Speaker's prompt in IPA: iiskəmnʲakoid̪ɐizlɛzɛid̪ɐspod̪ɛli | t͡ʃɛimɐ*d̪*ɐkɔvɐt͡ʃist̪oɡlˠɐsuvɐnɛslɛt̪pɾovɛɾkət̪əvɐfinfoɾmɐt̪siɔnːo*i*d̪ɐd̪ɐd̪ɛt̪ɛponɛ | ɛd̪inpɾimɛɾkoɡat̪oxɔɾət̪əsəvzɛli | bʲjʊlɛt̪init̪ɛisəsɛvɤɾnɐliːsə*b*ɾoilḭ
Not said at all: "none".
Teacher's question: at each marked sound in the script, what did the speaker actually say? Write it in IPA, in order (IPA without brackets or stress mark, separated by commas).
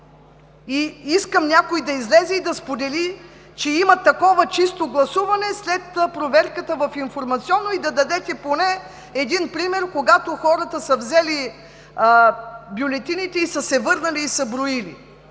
t̪, i, b